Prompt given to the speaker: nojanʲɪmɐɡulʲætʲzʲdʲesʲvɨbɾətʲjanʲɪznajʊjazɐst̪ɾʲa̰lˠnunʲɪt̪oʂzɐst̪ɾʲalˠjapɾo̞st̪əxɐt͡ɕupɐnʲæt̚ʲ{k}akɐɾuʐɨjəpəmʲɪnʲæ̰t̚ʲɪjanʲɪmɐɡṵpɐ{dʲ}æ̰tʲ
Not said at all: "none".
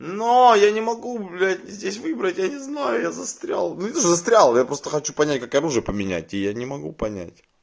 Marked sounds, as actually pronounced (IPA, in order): k, nʲ

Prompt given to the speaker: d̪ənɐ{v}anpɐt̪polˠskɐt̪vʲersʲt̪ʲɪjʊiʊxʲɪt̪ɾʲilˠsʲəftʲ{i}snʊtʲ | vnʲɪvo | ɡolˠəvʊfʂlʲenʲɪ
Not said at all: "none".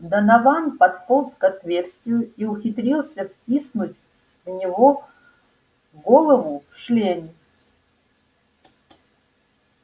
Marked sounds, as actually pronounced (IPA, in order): v, i

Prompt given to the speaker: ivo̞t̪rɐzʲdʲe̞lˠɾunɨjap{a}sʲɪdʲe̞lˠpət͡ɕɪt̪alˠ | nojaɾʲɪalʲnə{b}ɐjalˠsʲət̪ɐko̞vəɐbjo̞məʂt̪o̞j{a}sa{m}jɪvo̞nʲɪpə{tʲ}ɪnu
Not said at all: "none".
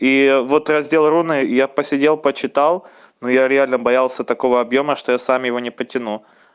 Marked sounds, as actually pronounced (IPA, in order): ə, b, a, m, tʲ

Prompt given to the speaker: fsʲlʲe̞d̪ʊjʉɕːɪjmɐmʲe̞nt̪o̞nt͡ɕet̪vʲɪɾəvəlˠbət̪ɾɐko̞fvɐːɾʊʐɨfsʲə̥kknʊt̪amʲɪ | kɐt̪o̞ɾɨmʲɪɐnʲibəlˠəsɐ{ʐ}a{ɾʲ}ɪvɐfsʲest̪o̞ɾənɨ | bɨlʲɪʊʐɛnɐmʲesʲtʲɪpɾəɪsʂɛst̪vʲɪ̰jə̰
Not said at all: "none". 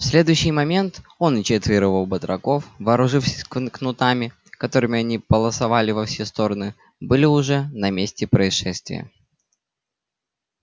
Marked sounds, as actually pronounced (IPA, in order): v, lʲ

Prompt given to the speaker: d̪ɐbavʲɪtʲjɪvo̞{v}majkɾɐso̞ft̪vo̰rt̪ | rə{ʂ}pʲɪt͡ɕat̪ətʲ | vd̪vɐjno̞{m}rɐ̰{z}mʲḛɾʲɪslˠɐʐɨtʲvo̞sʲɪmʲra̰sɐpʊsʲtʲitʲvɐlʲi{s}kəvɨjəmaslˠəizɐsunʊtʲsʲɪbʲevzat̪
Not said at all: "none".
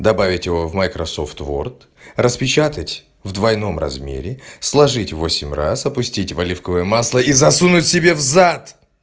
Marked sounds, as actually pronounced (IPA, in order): v, s, m, z, f

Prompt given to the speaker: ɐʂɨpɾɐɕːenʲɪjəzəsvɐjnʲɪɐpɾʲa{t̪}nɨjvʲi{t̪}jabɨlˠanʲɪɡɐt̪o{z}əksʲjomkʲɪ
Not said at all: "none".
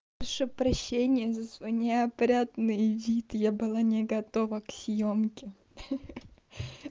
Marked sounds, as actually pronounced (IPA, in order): t̪, t̪, v

